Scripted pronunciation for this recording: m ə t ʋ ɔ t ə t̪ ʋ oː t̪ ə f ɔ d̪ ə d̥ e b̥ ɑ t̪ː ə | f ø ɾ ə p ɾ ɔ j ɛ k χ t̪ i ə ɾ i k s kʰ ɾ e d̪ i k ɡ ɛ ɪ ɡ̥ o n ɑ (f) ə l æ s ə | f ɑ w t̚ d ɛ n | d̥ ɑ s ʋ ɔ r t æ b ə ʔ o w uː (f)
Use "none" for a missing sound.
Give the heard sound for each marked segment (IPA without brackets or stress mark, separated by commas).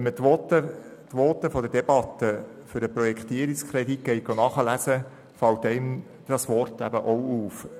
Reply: χ, f